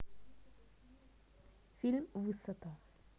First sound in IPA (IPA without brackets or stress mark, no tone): f